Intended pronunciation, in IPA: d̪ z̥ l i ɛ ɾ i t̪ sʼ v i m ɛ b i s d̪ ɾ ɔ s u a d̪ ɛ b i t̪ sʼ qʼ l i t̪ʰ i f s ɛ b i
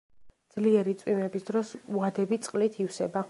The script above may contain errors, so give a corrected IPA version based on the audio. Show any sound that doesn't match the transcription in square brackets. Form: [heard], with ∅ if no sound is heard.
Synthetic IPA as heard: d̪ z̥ l i ɛ ɾ i t̪ sʼ [w] i m ɛ b i s d̪ ɾ ɔ s u a d̪ ɛ b i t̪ sʼ qʼ l i t̪ʰ i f s ɛ b [a]